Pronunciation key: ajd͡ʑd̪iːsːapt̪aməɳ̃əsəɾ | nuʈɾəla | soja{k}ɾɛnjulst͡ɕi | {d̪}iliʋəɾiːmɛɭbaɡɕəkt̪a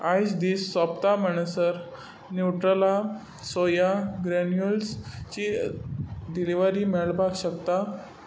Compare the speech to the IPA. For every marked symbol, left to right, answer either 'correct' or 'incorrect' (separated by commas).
incorrect, correct